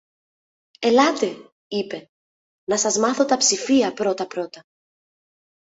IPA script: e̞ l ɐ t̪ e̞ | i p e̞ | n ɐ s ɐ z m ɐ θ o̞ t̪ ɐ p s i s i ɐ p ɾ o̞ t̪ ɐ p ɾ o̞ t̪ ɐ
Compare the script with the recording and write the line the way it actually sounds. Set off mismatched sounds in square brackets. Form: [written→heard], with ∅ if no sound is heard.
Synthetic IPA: e̞ l ɐ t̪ e̞ | i p e̞ | n ɐ s ɐ z m ɐ θ o̞ t̪ ɐ p s i [s→f] i ɐ p ɾ o̞ t̪ ɐ p ɾ o̞ t̪ ɐ

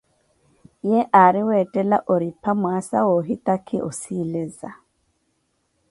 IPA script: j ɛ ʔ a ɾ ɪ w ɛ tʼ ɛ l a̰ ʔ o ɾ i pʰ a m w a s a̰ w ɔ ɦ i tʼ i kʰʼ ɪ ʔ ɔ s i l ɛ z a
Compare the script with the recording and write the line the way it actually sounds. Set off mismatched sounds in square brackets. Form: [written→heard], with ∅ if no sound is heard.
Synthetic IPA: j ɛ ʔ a ɾ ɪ w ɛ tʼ ɛ l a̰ ʔ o ɾ i pʰ a m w a s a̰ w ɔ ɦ i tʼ [i→a] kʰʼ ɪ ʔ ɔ s i l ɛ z a

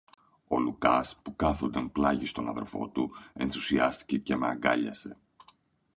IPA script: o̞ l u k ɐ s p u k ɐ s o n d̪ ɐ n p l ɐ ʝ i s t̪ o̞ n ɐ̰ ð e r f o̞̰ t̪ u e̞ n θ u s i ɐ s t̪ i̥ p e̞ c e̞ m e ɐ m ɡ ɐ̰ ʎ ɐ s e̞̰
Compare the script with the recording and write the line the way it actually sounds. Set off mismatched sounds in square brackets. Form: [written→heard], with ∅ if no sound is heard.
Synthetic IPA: o̞ l u k ɐ s p u k ɐ [s→θ] o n d̪ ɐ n p l ɐ ʝ i s t̪ o̞ n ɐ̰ ð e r f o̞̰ t̪ u e̞ n θ u s i ɐ s t̪ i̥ [p→c] e̞ c e̞ m e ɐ [m→ŋ] ɡ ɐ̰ ʎ ɐ s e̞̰

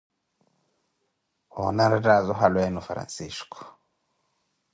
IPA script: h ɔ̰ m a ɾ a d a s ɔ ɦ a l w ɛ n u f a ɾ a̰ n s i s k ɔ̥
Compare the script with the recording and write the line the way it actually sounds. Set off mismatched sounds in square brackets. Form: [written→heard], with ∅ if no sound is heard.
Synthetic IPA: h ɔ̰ [m→n] a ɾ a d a [s→z] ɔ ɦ a l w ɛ n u f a ɾ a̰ n s i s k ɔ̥

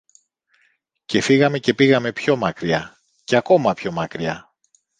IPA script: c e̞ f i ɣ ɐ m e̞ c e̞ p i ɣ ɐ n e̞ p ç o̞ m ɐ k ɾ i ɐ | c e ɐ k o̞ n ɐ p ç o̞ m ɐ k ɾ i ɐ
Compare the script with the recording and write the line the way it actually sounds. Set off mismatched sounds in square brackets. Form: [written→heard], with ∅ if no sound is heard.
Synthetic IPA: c e̞ f i ɣ ɐ m e̞ c e̞ p i ɣ ɐ [n→m] e̞ p ç o̞ m ɐ k ɾ i ɐ | c e ɐ k o̞ [n→m] ɐ p ç o̞ m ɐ k ɾ i ɐ

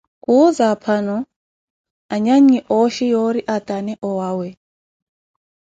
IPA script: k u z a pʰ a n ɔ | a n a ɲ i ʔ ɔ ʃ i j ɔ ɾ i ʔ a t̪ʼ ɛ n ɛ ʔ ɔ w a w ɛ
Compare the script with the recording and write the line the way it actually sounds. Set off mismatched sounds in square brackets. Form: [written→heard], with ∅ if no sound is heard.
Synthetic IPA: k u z a pʰ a n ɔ | a [n→ɲ] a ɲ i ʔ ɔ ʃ i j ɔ ɾ i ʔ a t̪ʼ [ɛ→a] n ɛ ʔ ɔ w a w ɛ

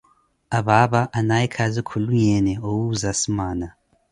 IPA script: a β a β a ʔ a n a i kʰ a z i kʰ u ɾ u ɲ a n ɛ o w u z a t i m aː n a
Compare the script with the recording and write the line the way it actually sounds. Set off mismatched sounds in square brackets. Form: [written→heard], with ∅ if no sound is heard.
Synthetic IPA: a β a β a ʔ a n a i kʰ a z i kʰ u [ɾ→l] u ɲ [a→ɛ] n ɛ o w u z a [t→s] i m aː n a

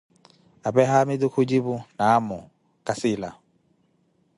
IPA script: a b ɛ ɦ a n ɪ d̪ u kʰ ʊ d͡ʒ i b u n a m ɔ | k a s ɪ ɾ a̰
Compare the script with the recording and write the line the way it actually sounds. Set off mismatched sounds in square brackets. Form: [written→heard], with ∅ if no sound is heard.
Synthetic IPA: a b ɛ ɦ a [n→m] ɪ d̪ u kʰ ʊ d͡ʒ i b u n a m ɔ | k a s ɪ [ɾ→l] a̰

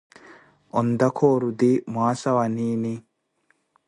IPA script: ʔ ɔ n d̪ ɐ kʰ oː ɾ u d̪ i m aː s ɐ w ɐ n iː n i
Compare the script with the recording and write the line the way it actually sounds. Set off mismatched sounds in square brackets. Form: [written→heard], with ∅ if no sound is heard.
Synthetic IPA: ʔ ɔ n d̪ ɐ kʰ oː ɾ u d̪ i m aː s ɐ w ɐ n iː n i

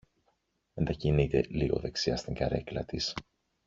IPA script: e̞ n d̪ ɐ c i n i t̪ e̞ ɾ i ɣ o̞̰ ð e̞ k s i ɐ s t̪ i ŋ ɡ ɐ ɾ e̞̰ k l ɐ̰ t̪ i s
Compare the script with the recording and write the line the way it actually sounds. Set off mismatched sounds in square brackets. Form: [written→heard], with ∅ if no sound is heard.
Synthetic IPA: e̞ n d̪ ɐ c i n i t̪ e̞ [ɾ→l] i ɣ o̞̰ ð e̞ k s i ɐ s t̪ i ŋ ɡ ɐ ɾ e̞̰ k l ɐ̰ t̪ i s

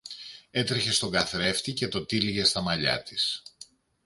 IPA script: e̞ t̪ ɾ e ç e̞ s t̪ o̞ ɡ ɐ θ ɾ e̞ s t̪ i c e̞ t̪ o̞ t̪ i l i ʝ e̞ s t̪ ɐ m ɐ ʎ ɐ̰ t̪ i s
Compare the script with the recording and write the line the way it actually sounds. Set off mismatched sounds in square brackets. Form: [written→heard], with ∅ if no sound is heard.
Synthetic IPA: e̞ t̪ ɾ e ç e̞ s t̪ o̞ ɡ ɐ θ ɾ e̞ [s→f] t̪ i c e̞ t̪ o̞ t̪ i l i ʝ e̞ s t̪ ɐ m ɐ ʎ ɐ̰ t̪ i s

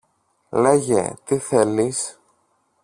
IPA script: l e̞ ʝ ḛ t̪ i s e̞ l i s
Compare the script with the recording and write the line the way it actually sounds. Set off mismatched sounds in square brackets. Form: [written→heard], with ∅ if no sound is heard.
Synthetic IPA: l e̞ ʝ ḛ t̪ i [s→θ] e̞ l i s

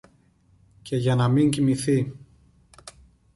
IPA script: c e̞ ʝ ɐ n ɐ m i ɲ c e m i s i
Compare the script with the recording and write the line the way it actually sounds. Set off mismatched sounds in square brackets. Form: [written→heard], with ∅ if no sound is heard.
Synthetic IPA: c e̞ ʝ ɐ n ɐ m i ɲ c [e→i] m i [s→θ] i

